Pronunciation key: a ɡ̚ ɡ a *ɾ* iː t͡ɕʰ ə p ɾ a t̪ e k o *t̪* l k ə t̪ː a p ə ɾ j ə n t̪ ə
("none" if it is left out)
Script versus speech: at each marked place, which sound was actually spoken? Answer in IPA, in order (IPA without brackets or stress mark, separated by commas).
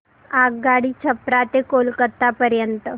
ɽ, none